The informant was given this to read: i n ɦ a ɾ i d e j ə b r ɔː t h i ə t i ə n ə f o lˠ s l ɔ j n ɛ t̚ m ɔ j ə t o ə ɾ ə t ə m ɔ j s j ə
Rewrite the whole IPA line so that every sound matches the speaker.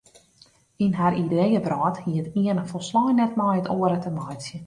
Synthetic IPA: i n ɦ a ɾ i d e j ə b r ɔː t h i ə t i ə n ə f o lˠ s l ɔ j n ɛ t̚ m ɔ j ə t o ə ɾ ə t ə m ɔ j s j ə